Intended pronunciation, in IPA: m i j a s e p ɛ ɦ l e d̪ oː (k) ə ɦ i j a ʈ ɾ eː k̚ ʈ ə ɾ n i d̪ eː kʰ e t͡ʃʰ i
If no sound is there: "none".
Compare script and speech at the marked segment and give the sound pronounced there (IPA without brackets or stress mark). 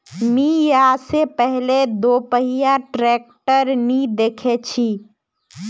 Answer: p